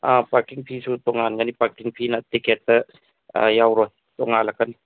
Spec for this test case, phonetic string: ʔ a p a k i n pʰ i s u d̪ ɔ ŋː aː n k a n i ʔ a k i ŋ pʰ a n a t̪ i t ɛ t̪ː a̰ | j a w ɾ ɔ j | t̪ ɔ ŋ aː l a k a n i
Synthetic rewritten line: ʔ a p a k i ŋ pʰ i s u t̪ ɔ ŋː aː n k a n i p a k i ŋ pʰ i n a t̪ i k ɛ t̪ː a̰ | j a w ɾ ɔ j | t̪ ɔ ŋ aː l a k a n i